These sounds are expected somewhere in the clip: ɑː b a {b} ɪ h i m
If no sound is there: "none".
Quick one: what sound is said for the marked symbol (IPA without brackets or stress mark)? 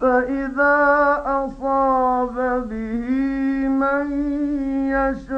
b